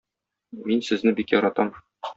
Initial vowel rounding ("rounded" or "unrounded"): unrounded